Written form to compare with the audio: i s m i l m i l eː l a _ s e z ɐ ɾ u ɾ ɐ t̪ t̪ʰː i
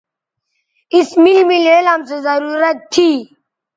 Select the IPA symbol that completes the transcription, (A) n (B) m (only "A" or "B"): B